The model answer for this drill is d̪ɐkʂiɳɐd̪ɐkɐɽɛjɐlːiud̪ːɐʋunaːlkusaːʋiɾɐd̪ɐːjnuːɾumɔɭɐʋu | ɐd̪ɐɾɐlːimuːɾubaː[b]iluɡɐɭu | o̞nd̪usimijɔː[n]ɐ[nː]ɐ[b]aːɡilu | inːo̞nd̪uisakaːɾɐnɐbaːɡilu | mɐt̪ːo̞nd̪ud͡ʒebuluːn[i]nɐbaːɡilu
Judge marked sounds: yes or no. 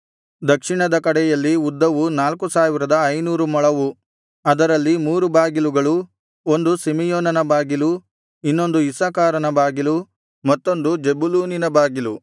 no, yes, no, yes, yes

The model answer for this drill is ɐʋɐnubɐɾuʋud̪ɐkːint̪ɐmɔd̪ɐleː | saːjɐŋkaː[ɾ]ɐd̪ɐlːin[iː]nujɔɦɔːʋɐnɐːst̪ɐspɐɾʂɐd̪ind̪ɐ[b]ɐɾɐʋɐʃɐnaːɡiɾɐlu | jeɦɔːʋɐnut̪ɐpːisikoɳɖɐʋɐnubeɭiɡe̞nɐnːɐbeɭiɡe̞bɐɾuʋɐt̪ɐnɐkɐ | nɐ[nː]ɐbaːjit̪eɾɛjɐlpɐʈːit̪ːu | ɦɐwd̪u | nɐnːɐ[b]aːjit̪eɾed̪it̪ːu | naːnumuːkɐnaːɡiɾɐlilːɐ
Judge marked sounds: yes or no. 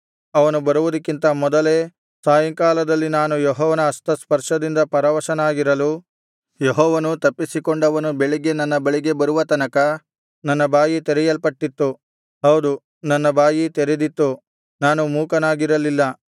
no, no, no, yes, yes

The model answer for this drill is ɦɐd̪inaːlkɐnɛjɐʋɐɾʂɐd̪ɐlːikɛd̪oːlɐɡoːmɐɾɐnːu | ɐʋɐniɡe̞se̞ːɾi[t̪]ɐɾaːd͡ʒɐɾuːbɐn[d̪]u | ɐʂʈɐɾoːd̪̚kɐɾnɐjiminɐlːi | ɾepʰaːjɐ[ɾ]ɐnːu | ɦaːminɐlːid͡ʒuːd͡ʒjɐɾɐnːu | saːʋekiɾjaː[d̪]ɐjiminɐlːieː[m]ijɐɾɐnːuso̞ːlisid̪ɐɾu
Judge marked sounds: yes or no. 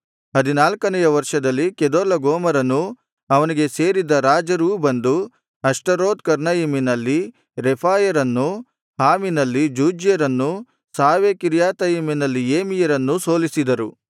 no, yes, yes, no, yes

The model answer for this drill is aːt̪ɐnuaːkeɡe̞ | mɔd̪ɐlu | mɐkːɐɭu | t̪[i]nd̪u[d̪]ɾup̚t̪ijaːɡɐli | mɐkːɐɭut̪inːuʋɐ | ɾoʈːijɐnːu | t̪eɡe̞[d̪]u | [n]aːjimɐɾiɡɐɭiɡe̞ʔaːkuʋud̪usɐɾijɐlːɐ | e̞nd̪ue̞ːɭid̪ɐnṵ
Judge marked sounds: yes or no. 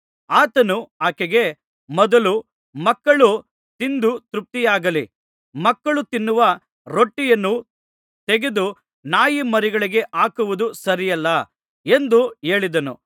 yes, no, yes, yes

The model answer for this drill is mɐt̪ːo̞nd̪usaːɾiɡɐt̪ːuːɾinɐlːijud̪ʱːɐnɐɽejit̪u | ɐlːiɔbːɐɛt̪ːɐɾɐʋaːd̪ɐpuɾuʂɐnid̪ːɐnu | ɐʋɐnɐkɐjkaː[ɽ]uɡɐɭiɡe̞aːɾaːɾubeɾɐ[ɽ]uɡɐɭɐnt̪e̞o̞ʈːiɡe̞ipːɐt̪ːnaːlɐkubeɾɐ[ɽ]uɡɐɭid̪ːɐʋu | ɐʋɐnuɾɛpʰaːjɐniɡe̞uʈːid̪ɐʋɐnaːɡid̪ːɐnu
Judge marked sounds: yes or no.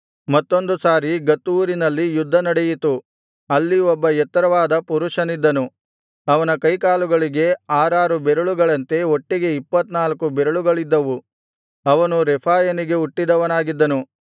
no, no, no

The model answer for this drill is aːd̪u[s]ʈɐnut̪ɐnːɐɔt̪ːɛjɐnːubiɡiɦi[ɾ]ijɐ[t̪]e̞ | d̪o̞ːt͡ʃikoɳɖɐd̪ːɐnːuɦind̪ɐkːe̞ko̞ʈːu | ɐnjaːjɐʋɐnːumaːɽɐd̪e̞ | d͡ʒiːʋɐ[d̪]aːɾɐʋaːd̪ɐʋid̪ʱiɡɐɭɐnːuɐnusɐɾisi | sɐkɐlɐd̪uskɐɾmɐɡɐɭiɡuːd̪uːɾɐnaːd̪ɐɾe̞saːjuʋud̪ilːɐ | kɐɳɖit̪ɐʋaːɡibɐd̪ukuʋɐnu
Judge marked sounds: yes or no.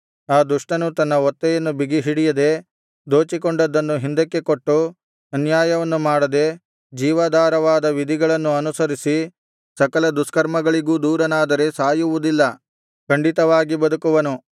no, no, no, yes

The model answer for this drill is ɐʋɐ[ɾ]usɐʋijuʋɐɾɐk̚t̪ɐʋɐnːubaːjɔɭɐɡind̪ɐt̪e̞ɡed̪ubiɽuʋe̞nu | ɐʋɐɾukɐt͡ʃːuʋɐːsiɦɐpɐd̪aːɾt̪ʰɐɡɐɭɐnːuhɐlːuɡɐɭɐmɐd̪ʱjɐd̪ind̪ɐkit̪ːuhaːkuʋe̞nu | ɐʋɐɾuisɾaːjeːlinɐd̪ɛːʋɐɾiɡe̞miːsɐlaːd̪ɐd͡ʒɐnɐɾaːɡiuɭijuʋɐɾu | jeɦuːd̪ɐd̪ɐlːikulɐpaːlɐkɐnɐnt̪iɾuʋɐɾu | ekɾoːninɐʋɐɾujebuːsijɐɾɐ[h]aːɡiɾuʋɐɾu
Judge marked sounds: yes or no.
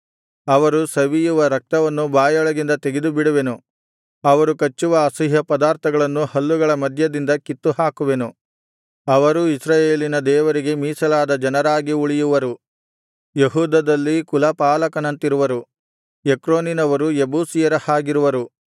yes, yes

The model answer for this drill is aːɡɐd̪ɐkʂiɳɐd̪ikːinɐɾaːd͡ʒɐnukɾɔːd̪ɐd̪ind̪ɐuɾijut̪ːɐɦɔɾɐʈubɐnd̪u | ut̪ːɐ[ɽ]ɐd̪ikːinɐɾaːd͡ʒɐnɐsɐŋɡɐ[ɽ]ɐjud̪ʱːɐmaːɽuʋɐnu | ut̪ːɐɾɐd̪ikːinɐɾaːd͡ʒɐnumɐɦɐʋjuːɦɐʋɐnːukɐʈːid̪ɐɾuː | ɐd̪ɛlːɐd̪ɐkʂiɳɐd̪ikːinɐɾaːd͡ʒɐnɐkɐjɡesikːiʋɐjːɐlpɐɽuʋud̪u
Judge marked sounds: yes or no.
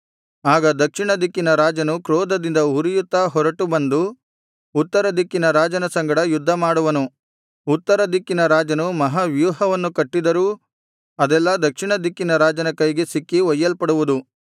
no, yes

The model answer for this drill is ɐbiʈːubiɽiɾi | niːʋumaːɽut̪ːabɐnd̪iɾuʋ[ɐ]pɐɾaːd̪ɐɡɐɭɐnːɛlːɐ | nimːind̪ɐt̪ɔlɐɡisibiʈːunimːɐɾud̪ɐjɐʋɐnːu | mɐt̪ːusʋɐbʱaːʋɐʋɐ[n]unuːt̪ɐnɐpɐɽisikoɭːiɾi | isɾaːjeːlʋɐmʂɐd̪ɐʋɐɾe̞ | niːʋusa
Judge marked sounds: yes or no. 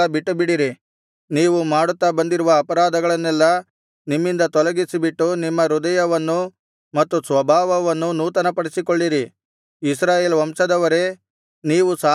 no, no

